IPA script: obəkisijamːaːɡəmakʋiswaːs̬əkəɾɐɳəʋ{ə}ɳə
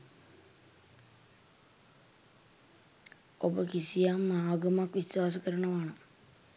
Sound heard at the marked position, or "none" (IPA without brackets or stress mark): a